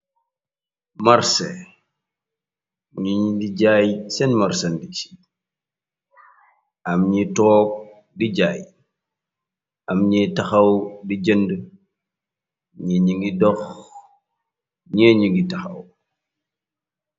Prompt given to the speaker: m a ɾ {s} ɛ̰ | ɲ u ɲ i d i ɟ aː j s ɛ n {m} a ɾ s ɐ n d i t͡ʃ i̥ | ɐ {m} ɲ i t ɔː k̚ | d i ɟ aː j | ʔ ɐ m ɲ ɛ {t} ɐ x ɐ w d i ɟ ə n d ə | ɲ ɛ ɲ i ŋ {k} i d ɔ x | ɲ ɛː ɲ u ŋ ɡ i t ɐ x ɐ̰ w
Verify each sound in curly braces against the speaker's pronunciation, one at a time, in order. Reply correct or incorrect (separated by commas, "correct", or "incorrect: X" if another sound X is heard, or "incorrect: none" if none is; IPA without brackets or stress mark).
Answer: correct, correct, correct, correct, incorrect: ɡ